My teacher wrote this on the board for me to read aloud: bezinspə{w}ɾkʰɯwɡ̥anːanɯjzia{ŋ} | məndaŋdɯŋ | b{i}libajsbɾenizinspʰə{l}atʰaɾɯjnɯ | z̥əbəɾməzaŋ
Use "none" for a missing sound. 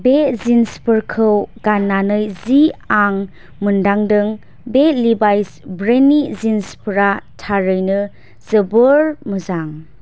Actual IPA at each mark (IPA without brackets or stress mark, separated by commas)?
none, ŋ, e, ɾ